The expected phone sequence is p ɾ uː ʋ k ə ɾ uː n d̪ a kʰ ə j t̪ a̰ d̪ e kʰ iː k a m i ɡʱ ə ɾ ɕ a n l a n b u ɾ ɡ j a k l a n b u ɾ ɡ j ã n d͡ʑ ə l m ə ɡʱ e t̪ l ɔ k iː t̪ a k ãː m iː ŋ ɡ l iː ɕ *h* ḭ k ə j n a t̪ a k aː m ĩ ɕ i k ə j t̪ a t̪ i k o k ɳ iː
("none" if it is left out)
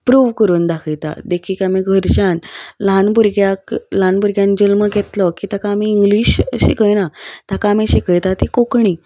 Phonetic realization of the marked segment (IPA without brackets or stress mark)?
ɕ